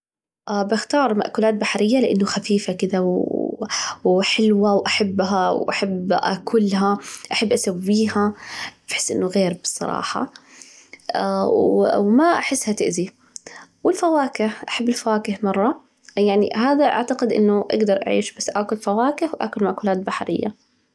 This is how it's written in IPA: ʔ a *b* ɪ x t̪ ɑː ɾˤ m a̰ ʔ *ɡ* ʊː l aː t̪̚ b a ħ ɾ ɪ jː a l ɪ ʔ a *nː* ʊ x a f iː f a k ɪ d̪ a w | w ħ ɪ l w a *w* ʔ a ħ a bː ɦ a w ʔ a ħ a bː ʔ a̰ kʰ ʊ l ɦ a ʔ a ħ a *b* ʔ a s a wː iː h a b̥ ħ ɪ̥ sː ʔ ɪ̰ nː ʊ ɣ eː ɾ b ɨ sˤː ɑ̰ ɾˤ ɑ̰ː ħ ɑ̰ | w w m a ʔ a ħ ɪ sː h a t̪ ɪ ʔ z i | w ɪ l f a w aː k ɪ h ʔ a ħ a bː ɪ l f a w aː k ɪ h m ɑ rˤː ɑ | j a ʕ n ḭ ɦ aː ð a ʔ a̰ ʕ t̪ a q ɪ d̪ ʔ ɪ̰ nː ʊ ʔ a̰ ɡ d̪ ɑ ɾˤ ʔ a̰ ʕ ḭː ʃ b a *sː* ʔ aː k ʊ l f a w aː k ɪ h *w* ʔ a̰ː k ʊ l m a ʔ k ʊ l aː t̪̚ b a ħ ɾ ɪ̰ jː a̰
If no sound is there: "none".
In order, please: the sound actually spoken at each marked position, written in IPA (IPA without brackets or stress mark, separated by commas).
b, k, nː, w, bː, sː, w